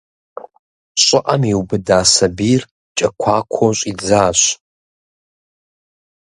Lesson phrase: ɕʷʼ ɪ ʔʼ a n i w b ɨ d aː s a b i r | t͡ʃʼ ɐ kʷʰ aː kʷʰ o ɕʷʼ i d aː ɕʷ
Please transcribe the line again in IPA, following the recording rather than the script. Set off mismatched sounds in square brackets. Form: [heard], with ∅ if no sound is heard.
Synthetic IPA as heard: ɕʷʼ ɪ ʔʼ a [m] i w b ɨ d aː s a b i r | t͡ʃʼ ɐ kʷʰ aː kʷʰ o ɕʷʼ i [d͡z] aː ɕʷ